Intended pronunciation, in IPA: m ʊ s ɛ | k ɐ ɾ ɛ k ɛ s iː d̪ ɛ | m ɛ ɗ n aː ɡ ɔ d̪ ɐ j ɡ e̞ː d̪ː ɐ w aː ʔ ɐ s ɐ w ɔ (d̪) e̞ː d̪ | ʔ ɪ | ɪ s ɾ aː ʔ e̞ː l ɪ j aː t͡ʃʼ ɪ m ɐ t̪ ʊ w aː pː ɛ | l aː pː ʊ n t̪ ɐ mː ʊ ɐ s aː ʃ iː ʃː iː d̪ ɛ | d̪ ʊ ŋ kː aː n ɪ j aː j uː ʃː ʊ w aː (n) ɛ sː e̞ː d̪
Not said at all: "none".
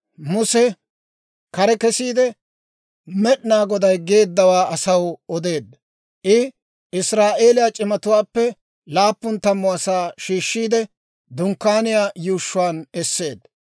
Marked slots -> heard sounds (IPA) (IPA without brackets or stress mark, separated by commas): d̪, n